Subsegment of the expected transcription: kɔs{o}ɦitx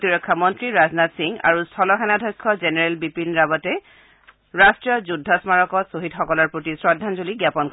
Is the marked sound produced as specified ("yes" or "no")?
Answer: yes